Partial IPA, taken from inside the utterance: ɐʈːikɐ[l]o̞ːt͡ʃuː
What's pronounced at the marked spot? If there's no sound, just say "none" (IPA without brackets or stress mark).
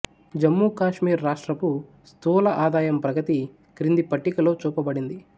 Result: l